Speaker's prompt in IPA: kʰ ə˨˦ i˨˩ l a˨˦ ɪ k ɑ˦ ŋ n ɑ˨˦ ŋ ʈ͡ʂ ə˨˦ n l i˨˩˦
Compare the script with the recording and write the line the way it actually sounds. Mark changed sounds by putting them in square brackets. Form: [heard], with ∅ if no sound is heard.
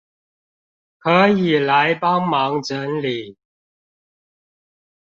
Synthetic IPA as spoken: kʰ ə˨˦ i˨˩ l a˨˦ ɪ [p] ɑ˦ ŋ [m] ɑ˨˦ ŋ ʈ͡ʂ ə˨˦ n l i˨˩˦